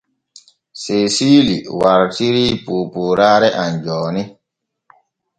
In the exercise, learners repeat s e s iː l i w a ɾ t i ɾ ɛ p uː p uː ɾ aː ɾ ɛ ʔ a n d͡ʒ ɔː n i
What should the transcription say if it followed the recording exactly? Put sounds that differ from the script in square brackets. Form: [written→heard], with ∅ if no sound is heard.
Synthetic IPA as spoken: s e s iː l i w a ɾ t i ɾ [ɛ→i] p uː p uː ɾ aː ɾ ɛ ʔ a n d͡ʒ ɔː n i

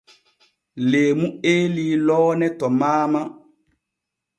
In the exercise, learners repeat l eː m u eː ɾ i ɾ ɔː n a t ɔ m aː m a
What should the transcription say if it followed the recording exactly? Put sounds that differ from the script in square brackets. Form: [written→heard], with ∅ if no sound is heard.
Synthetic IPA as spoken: l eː m u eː [ɾ→l] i [ɾ→l] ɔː n [a→ɛ] t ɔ m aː m a

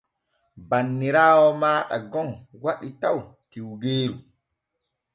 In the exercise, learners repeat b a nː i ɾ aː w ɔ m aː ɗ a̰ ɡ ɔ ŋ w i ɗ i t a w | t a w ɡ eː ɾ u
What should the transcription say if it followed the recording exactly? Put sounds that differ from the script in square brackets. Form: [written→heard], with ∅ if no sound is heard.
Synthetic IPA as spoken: b a nː i ɾ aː w ɔ m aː ɗ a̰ ɡ ɔ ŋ w [i→a] ɗ i t a w | t [a→i] w ɡ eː ɾ u

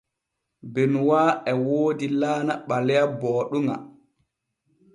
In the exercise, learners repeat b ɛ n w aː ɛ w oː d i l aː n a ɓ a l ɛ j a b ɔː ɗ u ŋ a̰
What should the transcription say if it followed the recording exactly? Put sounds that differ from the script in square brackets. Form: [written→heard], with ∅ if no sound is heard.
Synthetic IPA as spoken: b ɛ n w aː ɛ w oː d i l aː n a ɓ a l ɛ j a b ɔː ɗ u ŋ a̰

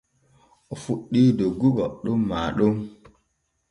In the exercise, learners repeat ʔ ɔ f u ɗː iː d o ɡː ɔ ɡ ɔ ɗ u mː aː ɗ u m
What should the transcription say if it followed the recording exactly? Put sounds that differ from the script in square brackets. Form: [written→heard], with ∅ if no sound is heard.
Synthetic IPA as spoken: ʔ ɔ f u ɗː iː d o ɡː [ɔ→u] ɡ ɔ ɗ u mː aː ɗ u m

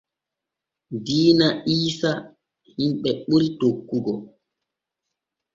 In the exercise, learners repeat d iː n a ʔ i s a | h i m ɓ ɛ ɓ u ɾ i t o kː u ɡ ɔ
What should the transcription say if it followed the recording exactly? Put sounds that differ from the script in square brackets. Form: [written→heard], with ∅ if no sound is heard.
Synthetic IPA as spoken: d iː n a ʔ [i→iː] s a | h i m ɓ ɛ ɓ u ɾ i t o kː u ɡ ɔ

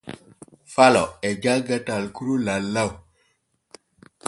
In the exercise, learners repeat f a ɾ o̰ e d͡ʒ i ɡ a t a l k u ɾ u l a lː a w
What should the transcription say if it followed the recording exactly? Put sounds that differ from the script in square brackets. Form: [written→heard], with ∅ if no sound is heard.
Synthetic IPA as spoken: f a [ɾ→l] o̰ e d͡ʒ [i→a] ɡ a t a l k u ɾ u l a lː a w

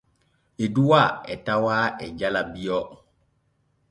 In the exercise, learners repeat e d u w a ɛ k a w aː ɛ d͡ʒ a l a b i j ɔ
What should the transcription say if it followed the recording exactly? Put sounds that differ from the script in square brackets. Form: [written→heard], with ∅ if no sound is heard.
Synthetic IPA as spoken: e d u w a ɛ [k→t] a w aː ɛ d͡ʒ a l a b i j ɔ

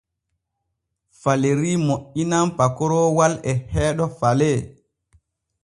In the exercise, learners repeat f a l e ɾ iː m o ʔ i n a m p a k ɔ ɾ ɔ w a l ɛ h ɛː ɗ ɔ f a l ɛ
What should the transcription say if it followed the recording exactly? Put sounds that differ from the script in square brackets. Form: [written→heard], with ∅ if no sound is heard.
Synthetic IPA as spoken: f a l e ɾ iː m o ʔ i n a m p a k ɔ ɾ ɔ w a l ɛ h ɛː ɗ ɔ f a l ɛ

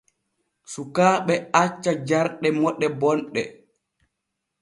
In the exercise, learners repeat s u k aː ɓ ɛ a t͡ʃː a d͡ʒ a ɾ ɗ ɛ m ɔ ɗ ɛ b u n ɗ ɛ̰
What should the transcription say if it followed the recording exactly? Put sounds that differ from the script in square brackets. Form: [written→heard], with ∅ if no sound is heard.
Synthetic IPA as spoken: s u k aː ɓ ɛ a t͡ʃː a d͡ʒ a ɾ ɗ ɛ m ɔ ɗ ɛ b [u→ɔ] n ɗ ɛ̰

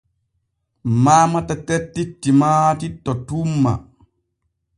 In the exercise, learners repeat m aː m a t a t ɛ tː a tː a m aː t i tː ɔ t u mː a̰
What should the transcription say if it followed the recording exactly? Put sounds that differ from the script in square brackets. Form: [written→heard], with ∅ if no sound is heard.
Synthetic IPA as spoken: m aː m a t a t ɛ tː [a→i] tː [a→i] m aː t i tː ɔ t u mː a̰

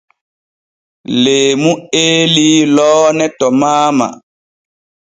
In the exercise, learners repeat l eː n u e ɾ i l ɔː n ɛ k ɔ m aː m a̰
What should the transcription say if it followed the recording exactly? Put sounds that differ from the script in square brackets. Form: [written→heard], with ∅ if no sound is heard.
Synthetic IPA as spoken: l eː [n→m] u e [ɾ→l] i l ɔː n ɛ [k→t] ɔ m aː m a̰

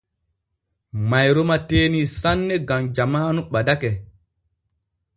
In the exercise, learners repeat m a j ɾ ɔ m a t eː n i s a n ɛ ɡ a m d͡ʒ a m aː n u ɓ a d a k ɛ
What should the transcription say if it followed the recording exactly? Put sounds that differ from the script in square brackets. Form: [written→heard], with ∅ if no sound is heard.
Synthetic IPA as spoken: m a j ɾ ɔ m a t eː n i s a [n→nː] ɛ ɡ a m d͡ʒ a m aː n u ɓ a d a k ɛ

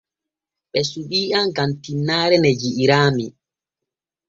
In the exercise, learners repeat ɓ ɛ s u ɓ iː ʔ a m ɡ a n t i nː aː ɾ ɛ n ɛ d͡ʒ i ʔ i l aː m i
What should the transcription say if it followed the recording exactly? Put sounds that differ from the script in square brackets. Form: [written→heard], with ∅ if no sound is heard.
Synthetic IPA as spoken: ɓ ɛ s u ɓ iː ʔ a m ɡ a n t i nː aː ɾ ɛ n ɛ d͡ʒ i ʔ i [l→ɾ] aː m i

